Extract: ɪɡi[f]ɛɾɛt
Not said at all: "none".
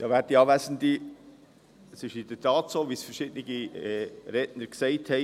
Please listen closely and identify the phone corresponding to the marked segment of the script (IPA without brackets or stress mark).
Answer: none